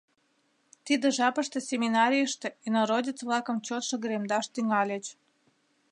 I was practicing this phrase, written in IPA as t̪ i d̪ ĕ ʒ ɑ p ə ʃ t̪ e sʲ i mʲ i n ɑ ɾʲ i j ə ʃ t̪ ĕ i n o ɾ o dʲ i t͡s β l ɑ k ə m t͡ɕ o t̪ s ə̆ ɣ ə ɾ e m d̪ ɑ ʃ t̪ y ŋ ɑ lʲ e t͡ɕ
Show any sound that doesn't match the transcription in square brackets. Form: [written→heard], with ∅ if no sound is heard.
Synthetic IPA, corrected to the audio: t̪ i d̪ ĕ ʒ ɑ p ə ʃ t̪ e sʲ [i→e] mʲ i n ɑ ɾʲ i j ə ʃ t̪ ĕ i n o ɾ o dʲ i t͡s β l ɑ k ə m t͡ɕ o t̪ [s→ʃ] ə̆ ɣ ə ɾ e m d̪ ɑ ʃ t̪ y ŋ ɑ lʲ e t͡ɕ